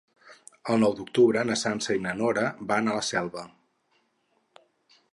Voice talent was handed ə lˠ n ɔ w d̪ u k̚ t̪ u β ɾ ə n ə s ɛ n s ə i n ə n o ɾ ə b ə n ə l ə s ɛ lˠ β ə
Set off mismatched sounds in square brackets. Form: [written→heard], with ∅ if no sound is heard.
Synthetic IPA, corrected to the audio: ə lˠ n ɔ w d̪ u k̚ t̪ u β ɾ ə n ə s [ɛ→a] n s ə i n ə n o ɾ ə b [ə→a] n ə l ə s ɛ lˠ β ə

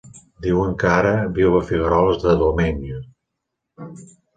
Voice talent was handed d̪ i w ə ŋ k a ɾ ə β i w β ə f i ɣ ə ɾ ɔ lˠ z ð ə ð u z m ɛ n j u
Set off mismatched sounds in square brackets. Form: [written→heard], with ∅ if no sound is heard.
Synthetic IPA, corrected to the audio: d̪ i w ə ŋ k a ɾ ə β i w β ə f i ɣ ə ɾ ɔ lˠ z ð ə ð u [z→∅] m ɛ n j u

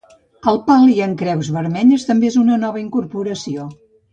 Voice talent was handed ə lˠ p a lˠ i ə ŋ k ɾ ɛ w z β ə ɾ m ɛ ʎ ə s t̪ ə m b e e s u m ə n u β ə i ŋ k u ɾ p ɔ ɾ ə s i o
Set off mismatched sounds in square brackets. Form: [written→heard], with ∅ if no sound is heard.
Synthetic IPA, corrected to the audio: ə lˠ p a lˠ i ə ŋ k ɾ ɛ w z β ə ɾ m ɛ ʎ ə s t̪ ə m b e e [s→z] u [m→n] ə n [u→ɔ] β ə i ŋ k u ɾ p [ɔ→u] ɾ ə s i o

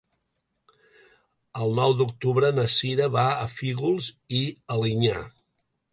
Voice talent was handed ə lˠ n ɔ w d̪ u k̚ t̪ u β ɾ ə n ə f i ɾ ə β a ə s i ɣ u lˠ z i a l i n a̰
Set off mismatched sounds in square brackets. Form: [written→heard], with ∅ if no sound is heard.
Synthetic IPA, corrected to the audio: ə lˠ n ɔ w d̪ u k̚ t̪ u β ɾ ə n ə [f→s] i ɾ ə β a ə [s→f] i ɣ u lˠ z i [a→ə] l i [n→ɲ] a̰

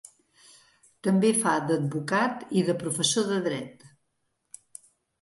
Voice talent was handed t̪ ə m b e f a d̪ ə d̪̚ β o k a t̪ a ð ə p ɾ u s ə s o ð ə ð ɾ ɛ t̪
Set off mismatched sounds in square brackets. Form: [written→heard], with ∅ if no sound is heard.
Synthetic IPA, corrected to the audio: t̪ ə m b e f a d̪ ə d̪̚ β [o→u] k a t̪ [a→i] ð ə p ɾ u [s→f] ə s o ð ə ð ɾ ɛ t̪

